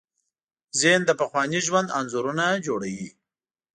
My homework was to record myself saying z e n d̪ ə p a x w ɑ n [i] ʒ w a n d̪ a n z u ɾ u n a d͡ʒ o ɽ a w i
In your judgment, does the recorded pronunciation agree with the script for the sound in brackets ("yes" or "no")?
yes